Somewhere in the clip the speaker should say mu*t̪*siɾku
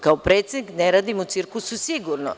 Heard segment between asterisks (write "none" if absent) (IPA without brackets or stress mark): t̪